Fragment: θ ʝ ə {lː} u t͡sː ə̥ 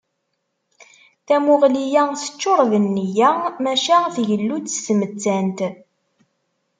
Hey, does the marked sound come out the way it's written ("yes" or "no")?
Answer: yes